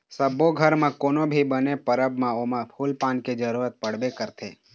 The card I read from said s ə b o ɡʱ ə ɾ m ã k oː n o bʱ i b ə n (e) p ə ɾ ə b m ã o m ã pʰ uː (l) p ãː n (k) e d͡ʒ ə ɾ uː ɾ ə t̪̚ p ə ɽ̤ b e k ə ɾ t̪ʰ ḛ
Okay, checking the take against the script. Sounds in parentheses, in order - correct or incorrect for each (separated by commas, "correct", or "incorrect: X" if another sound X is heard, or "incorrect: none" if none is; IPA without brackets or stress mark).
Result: correct, correct, correct